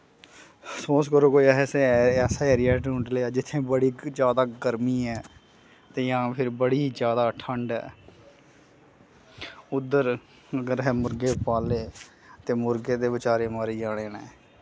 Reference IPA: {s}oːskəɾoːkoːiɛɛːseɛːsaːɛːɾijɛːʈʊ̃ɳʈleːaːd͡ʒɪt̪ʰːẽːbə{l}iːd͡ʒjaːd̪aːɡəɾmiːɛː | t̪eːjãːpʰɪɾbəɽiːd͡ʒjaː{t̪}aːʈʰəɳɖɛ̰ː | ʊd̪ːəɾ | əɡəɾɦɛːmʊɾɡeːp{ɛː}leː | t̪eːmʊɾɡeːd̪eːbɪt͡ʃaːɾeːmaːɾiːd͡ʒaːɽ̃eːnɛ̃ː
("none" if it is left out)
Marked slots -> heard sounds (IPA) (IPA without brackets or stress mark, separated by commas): s, ɽ, d̪, aː